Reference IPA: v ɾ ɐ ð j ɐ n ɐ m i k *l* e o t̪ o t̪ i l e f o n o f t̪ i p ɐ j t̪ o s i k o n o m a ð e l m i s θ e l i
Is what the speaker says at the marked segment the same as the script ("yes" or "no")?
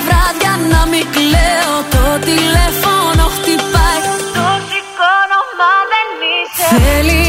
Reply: yes